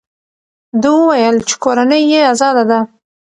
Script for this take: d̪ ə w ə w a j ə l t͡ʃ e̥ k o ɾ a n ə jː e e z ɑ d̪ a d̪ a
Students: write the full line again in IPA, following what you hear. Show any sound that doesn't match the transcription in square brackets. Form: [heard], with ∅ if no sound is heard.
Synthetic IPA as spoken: d̪ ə w ə w a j ə l t͡ʃ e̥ k o ɾ a n ə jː e [a] z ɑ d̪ a d̪ a